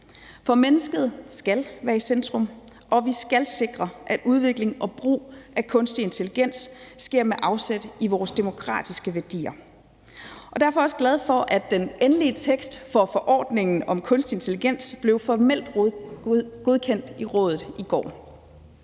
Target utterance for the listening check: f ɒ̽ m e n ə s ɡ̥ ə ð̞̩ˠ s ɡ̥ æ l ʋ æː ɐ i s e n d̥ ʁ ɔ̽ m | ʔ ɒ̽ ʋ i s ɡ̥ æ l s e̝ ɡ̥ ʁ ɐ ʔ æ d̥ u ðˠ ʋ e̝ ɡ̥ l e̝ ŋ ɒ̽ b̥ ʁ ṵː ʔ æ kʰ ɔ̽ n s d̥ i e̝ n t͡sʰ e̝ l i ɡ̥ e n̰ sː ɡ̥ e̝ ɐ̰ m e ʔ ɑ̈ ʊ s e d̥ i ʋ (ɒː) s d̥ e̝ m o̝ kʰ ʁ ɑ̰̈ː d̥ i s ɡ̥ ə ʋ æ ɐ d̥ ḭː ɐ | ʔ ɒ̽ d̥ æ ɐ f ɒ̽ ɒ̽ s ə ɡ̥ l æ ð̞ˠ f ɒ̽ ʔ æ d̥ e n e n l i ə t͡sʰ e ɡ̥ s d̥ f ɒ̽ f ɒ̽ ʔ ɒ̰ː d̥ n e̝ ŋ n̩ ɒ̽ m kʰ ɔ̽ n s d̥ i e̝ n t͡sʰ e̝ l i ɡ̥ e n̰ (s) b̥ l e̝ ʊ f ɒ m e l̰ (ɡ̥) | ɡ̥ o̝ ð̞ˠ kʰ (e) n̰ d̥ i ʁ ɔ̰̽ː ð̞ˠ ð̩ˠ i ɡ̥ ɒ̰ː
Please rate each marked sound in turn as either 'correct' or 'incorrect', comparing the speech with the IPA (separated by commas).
correct, correct, incorrect, correct